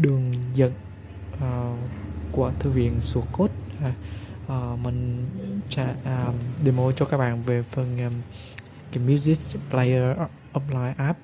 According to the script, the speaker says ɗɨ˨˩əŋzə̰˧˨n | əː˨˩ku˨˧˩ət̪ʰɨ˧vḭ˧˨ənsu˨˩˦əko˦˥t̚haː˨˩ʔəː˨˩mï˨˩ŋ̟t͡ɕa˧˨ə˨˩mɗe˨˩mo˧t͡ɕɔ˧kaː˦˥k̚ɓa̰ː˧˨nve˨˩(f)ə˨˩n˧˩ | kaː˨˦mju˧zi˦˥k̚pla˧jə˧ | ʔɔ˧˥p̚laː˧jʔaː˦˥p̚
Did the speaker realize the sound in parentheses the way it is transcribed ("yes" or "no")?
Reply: yes